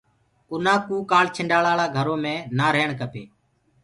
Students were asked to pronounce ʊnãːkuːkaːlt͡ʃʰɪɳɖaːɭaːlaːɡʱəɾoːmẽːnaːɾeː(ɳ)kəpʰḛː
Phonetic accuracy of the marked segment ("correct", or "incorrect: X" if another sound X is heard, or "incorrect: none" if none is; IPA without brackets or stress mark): correct